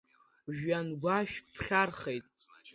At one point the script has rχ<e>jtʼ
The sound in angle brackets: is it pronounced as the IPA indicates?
yes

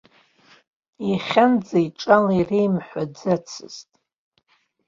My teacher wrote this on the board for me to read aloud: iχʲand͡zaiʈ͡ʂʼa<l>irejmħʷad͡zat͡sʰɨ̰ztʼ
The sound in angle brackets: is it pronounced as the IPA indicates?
yes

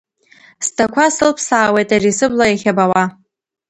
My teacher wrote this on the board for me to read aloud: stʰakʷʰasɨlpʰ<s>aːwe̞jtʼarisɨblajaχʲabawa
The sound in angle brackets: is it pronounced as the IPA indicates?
yes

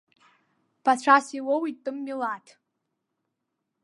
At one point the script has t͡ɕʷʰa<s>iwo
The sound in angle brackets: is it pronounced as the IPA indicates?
yes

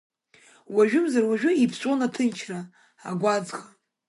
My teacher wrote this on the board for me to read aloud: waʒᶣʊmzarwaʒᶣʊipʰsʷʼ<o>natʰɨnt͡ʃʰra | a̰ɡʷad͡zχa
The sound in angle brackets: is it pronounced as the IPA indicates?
yes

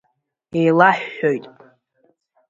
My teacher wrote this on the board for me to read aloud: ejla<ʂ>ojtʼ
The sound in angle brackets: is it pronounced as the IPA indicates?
no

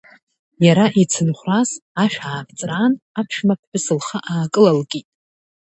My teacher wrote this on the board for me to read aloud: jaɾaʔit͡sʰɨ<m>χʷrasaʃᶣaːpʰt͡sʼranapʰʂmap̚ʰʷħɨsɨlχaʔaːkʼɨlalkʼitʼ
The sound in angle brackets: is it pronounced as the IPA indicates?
no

